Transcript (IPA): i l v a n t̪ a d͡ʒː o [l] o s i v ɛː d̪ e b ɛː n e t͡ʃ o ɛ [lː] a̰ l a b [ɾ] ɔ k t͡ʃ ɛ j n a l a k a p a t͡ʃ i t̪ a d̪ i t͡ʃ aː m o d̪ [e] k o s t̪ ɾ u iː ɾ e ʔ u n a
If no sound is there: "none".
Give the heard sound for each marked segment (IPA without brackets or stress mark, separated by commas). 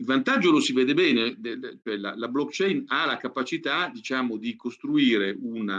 l, l, l, i